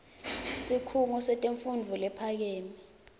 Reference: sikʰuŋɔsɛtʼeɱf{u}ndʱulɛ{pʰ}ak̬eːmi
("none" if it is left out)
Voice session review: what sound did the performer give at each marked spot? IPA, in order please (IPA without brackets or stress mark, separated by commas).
u, pʰ